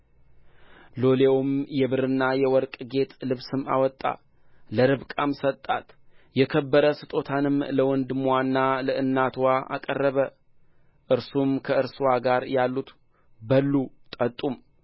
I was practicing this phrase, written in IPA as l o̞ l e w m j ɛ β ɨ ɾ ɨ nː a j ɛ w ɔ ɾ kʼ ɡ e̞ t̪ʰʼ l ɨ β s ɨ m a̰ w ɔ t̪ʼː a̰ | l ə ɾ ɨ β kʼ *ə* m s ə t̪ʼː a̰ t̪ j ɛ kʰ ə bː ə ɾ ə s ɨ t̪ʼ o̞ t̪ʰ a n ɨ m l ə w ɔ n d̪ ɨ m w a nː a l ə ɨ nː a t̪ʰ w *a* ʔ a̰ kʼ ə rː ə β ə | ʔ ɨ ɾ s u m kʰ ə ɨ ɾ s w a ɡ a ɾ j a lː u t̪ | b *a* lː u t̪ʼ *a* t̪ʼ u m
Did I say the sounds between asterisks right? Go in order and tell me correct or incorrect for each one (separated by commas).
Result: incorrect, correct, incorrect, incorrect